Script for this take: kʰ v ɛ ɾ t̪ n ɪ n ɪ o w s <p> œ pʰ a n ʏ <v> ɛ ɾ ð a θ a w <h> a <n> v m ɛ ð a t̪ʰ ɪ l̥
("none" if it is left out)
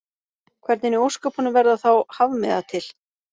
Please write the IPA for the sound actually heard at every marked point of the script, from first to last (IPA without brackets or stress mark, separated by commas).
k, v, h, none